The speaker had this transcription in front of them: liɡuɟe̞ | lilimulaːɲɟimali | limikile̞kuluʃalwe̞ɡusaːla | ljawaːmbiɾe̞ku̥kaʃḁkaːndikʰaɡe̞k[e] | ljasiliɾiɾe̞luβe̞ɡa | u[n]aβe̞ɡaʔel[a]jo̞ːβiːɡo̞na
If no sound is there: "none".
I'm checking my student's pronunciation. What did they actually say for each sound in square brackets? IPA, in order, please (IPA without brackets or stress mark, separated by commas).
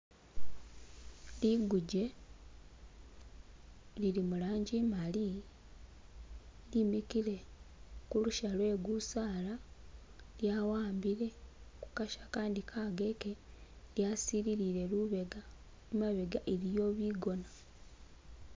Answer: e, m, i